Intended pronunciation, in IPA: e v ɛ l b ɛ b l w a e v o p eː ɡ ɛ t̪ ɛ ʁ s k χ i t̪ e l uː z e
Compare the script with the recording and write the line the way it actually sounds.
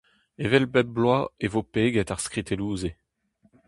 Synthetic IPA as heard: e v ɛ l b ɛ b l w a e v o p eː ɡ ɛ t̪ a ʁ s k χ i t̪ e l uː z e